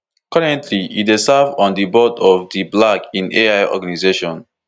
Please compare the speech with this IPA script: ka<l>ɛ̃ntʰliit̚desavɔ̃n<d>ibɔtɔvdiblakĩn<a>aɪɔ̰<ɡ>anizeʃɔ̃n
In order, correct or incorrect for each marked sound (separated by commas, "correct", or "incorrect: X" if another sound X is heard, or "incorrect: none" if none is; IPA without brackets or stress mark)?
incorrect: ɹ, correct, incorrect: e, correct